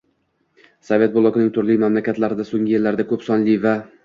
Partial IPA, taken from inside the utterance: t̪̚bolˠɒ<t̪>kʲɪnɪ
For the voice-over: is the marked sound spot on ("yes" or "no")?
no